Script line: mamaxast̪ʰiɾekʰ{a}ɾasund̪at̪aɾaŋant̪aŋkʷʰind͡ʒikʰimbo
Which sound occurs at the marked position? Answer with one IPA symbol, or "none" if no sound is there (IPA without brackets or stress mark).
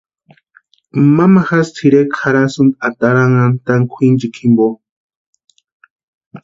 a